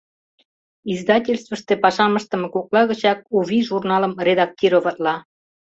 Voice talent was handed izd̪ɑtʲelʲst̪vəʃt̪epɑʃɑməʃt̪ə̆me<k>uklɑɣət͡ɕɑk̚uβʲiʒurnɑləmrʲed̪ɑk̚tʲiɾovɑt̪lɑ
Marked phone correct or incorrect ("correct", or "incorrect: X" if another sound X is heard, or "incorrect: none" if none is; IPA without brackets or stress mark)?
correct